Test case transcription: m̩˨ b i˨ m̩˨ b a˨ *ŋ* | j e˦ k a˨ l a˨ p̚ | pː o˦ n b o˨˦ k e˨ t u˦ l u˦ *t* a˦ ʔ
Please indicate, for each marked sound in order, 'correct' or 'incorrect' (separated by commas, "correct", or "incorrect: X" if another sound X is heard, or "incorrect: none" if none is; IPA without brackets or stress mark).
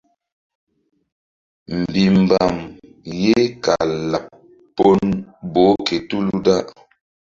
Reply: incorrect: m, incorrect: d